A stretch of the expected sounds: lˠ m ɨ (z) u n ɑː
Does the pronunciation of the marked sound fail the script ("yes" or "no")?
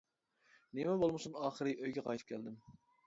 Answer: yes